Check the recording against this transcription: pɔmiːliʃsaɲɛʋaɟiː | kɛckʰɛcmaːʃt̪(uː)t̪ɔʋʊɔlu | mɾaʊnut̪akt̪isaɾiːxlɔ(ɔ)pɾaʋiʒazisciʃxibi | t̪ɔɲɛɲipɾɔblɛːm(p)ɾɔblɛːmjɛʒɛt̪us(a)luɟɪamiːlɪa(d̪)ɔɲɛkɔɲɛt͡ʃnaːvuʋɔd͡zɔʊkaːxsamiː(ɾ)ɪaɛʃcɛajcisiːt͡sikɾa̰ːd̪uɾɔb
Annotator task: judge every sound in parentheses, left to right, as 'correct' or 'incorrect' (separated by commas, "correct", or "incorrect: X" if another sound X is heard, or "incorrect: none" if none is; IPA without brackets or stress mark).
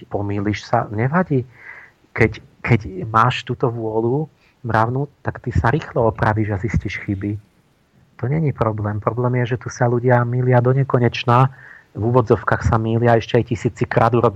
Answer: correct, correct, correct, correct, correct, incorrect: l